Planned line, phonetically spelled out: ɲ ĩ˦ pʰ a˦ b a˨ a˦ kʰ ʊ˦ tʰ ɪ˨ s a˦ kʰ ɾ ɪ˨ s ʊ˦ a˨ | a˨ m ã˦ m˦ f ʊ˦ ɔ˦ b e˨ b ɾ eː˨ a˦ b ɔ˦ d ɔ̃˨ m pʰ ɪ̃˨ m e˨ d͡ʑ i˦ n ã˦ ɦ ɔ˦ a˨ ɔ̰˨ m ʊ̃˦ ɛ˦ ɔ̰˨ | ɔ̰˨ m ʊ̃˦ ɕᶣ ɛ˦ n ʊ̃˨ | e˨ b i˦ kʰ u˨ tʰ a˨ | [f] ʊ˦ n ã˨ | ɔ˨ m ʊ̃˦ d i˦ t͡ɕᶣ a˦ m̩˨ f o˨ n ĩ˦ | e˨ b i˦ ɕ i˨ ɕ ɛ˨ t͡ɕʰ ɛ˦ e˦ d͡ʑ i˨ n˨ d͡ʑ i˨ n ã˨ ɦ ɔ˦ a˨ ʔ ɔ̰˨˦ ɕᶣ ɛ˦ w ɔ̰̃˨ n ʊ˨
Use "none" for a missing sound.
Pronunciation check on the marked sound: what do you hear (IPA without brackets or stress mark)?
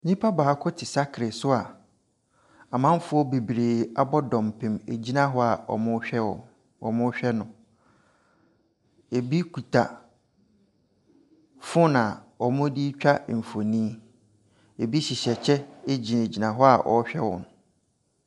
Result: f